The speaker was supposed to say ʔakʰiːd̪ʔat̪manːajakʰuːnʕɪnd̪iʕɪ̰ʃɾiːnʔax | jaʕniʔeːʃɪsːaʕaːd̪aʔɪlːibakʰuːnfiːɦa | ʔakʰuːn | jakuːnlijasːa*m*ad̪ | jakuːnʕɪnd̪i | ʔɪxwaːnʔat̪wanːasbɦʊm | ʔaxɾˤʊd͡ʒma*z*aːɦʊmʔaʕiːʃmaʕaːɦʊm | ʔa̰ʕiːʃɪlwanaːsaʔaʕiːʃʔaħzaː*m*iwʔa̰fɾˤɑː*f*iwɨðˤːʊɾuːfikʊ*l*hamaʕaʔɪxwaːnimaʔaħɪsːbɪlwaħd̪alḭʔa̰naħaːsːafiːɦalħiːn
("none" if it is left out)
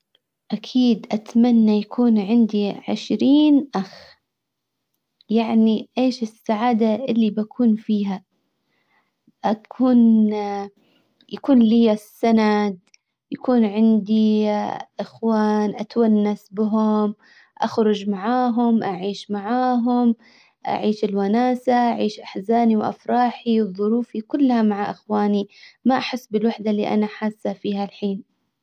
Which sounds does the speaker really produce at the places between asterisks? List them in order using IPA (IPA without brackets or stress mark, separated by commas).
n, ʕ, n, ħ, lː